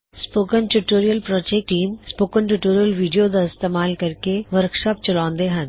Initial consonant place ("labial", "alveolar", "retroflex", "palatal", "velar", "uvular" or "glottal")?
alveolar